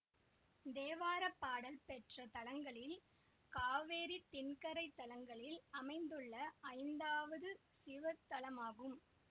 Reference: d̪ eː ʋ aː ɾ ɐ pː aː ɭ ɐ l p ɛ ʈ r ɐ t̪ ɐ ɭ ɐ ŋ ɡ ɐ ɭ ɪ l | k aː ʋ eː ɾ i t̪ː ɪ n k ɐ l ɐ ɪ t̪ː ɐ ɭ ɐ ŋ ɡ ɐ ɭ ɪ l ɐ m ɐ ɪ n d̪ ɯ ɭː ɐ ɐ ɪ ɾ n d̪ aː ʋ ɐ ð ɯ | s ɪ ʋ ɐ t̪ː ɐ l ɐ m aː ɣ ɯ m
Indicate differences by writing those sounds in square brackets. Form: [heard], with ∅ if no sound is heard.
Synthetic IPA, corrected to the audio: d̪ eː ʋ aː ɾ ɐ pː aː [ɽ] ɐ l p ɛ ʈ r ɐ t̪ ɐ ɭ ɐ ŋ ɡ ɐ ɭ ɪ l | k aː ʋ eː ɾ i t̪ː ɪ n k ɐ [ɾ] ɐ ɪ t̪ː ɐ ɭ ɐ ŋ ɡ ɐ ɭ ɪ l ɐ m ɐ ɪ n d̪ ɯ ɭː ɐ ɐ ɪ [∅] n d̪ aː ʋ ɐ ð ɯ | s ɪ ʋ ɐ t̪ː ɐ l ɐ m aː ɣ ɯ m